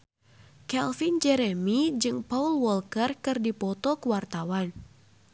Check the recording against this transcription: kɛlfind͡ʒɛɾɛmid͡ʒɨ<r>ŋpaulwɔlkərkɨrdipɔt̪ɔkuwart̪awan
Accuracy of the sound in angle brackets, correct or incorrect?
incorrect